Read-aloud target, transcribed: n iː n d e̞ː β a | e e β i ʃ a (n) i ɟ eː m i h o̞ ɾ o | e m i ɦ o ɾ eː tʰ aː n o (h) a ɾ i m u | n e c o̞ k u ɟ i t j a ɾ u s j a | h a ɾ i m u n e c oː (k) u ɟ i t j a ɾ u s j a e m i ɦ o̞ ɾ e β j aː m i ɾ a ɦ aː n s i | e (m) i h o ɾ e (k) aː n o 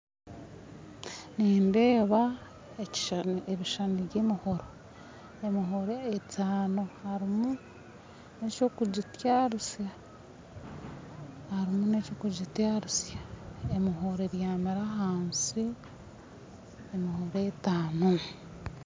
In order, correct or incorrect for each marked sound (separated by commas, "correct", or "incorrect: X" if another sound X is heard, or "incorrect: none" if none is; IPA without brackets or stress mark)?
correct, correct, correct, correct, incorrect: t